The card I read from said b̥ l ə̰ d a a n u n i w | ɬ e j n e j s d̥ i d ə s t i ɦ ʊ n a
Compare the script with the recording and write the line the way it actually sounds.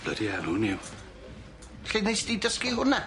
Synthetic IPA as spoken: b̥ l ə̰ d i a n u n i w | ɬ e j n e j s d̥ i d ə s k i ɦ ʊ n a